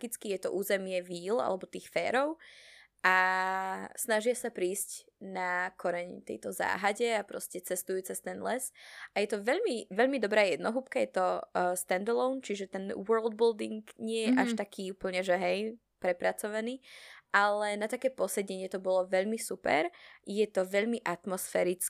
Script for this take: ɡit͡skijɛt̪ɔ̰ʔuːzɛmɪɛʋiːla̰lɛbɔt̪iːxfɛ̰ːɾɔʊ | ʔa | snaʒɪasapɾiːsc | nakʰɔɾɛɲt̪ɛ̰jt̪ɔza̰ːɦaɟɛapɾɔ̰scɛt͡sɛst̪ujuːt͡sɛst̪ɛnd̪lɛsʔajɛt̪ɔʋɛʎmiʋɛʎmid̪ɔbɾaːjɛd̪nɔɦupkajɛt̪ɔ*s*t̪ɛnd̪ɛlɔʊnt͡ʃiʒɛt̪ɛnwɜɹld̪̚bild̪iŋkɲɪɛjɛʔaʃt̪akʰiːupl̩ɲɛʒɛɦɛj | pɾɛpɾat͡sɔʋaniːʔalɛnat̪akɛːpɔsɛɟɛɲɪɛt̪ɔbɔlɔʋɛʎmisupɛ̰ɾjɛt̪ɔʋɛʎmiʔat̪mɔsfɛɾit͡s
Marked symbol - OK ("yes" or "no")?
yes